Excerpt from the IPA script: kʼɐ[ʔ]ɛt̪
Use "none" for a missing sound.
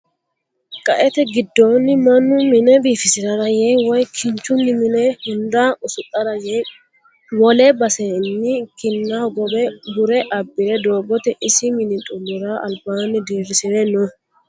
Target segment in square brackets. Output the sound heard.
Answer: ʔ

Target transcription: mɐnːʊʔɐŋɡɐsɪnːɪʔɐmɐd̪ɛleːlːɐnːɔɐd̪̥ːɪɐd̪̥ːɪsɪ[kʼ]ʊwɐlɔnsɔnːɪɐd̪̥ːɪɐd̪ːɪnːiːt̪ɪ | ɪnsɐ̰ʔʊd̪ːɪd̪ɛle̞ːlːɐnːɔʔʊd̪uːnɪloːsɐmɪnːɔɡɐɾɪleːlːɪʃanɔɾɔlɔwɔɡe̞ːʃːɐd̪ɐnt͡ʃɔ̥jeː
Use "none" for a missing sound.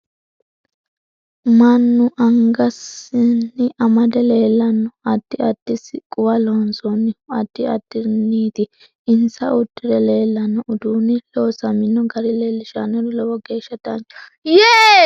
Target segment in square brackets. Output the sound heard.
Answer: kʼ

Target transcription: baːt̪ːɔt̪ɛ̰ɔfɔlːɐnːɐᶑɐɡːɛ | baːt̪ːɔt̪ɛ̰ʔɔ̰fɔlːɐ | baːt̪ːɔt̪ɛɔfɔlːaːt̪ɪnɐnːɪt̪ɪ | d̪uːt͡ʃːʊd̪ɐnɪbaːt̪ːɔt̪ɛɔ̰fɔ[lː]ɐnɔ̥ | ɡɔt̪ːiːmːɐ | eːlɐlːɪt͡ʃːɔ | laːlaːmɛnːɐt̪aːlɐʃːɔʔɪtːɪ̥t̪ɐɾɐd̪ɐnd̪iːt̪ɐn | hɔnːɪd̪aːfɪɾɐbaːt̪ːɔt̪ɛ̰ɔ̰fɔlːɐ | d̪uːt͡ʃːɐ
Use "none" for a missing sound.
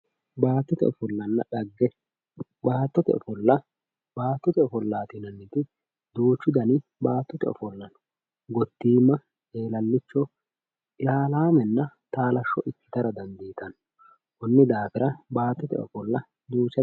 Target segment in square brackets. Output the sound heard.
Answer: lː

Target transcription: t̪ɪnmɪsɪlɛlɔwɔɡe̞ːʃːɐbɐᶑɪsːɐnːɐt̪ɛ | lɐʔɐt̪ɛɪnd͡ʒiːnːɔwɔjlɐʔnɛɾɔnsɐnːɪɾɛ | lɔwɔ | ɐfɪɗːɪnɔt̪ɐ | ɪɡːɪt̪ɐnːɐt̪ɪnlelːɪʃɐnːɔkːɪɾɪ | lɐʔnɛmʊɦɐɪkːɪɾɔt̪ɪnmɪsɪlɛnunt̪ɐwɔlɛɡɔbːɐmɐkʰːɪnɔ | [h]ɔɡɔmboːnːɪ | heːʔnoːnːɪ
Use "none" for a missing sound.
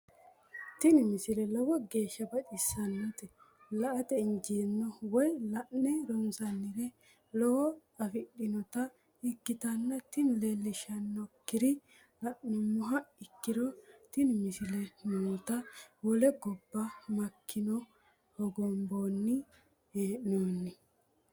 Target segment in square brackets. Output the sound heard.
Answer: h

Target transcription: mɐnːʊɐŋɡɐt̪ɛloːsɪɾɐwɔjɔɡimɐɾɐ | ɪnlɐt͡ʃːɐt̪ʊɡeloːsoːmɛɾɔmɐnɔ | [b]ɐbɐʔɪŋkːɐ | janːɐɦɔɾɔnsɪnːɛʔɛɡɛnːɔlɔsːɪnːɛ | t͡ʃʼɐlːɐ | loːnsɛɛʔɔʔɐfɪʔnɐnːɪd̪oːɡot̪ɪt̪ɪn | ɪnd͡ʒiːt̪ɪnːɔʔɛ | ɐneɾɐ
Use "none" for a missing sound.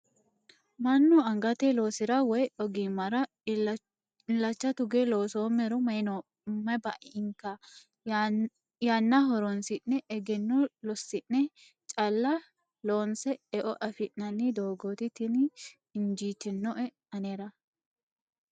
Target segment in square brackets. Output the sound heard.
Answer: m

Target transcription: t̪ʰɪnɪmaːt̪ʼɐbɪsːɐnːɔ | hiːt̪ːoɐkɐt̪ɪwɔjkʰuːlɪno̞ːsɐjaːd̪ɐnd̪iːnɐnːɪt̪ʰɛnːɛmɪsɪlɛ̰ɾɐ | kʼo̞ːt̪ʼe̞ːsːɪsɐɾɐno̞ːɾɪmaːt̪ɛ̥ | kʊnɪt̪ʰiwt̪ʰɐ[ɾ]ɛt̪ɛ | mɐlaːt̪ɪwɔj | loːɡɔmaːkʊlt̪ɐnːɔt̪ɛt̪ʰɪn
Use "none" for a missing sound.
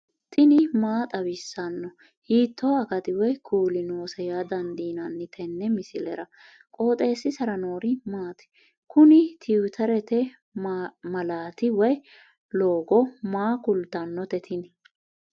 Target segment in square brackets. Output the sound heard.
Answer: ɾ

